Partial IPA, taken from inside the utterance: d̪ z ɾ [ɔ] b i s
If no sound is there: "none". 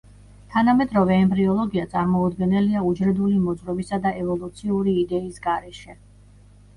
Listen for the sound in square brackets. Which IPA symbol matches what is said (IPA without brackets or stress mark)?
ɔ